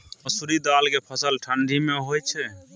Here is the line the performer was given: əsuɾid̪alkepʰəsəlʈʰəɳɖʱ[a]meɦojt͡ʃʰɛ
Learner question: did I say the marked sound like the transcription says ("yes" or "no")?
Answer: no